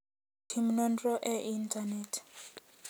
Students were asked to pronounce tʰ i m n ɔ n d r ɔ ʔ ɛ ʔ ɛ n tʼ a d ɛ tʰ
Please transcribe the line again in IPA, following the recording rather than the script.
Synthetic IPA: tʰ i m n ɔ n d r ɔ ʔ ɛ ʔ i n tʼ a n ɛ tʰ